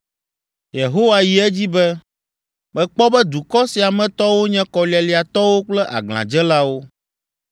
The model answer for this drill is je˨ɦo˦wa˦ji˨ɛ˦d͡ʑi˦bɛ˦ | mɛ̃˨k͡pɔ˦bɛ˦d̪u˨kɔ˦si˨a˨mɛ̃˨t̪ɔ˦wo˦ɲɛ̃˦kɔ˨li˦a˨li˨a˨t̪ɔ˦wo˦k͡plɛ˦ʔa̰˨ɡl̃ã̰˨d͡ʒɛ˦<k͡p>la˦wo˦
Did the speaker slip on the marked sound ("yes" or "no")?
yes